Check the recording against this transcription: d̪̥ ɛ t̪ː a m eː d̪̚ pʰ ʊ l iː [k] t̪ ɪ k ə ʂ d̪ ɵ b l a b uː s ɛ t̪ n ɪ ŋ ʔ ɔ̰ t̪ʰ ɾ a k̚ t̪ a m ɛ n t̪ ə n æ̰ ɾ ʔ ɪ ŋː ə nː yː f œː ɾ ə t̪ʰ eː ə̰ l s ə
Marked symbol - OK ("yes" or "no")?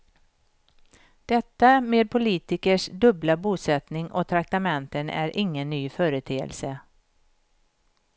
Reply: no